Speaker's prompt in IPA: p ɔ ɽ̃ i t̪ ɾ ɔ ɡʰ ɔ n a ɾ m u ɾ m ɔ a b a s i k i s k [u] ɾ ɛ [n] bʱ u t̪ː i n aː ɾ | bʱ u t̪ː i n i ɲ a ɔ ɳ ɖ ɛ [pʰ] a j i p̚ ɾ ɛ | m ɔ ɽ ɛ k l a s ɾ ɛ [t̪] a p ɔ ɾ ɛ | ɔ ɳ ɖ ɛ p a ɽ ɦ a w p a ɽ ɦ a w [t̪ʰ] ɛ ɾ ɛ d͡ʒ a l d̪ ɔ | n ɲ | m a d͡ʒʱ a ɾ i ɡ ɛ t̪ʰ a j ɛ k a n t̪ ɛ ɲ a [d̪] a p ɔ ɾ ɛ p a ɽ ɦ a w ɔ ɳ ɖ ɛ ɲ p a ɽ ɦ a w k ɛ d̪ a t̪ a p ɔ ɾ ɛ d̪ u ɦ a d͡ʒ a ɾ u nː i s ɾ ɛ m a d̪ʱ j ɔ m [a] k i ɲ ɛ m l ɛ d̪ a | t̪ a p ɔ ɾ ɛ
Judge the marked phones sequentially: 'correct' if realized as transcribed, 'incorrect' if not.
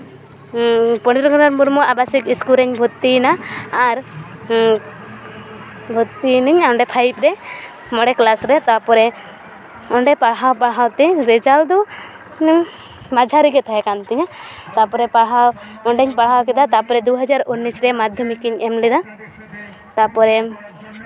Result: correct, incorrect, correct, correct, incorrect, incorrect, incorrect

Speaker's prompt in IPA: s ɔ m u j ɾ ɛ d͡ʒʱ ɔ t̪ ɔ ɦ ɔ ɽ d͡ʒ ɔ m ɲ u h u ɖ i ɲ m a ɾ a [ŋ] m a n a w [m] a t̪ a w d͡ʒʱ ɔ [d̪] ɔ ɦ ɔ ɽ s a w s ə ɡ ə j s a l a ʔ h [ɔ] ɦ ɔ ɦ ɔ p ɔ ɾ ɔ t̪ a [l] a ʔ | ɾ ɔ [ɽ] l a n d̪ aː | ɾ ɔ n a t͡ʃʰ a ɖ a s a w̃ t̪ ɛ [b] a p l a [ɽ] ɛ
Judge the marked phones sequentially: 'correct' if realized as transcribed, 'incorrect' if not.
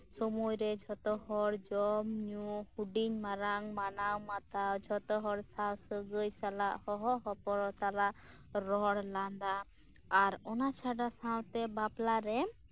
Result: correct, correct, incorrect, correct, correct, correct, correct, incorrect

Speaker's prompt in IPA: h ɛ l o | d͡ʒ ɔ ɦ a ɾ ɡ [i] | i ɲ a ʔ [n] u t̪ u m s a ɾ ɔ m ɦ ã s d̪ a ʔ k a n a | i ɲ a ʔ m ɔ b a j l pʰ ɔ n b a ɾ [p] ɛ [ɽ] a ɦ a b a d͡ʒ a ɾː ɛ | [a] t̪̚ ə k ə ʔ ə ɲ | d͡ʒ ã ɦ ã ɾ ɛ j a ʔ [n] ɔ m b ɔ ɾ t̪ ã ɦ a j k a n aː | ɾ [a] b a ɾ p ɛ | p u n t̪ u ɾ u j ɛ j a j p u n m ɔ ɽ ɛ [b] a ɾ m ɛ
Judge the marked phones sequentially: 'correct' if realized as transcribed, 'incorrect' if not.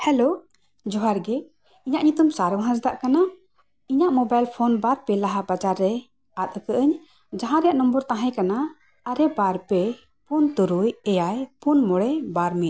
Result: incorrect, incorrect, correct, incorrect, correct, correct, incorrect, correct

